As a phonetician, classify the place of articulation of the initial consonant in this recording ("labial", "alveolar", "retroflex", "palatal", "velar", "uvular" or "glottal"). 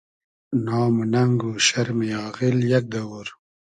alveolar